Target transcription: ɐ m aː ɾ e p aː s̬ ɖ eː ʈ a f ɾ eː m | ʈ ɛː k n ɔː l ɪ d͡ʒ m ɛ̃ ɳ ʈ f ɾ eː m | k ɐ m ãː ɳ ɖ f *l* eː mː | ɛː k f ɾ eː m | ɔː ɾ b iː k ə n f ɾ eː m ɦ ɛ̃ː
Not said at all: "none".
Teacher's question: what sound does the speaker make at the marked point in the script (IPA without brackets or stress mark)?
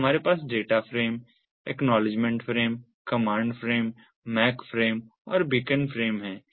ɾ